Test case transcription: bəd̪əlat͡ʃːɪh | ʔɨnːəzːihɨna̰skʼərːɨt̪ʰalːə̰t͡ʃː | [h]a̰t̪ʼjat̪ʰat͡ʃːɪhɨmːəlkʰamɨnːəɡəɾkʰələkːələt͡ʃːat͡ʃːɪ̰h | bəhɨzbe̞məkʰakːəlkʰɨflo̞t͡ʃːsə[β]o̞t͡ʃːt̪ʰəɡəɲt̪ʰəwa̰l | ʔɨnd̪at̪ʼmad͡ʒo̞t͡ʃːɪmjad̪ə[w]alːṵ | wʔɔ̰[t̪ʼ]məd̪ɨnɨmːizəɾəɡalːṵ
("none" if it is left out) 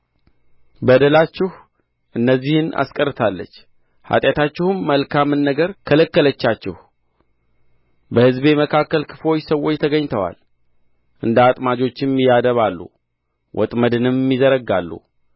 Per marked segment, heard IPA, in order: h, w, β, t̪ʼ

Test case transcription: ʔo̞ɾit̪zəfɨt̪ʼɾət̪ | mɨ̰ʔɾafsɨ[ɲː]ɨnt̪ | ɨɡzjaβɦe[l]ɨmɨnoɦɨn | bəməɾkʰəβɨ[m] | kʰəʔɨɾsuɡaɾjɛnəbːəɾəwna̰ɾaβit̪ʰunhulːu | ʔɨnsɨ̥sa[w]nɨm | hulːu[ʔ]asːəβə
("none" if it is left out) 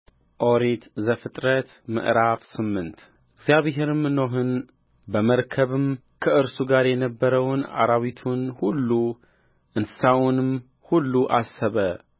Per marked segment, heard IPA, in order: mː, ɾ, m, w, ʔ

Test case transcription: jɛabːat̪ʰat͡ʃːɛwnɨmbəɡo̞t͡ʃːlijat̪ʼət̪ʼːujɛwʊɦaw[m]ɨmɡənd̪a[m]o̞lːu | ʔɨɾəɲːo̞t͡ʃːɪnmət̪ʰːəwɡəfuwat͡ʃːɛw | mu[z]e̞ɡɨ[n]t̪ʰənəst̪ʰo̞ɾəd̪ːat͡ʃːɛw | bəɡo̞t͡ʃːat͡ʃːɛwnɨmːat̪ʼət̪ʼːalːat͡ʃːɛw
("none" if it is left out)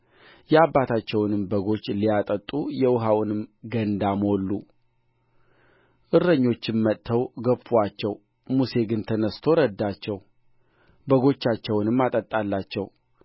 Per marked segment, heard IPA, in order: n, m, s, n

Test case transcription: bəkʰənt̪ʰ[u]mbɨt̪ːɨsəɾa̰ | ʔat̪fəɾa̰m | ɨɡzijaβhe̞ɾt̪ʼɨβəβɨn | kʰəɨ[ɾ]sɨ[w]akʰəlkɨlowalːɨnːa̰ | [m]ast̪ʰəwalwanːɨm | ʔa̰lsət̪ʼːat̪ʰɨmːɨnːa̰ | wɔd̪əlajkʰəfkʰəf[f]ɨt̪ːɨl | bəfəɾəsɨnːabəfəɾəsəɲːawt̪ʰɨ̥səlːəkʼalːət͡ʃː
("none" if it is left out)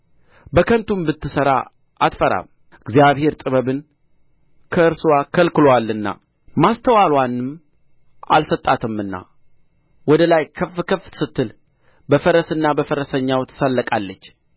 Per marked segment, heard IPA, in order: u, ɾ, w, m, s

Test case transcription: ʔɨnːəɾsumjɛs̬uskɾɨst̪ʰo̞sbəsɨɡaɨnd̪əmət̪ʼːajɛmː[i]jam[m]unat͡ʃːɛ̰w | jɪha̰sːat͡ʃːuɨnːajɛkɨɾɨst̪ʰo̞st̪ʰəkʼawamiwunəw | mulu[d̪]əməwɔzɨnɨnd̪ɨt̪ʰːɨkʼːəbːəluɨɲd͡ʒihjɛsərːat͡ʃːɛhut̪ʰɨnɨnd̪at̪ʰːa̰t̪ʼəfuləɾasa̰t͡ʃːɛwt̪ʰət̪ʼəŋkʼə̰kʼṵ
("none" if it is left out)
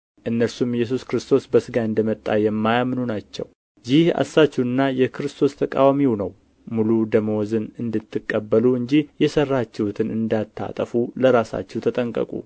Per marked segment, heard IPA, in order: a, n, d̪

